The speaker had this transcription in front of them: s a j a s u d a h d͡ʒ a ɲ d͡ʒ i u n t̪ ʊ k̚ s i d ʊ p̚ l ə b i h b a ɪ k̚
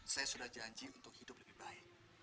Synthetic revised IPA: s a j a s u d a h d͡ʒ a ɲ d͡ʒ i u n t̪ ʊ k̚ h i d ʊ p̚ l ə b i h b a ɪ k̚